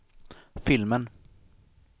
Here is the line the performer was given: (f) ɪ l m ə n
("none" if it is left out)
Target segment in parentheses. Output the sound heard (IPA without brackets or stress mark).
f